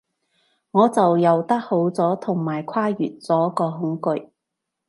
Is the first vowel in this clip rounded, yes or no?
yes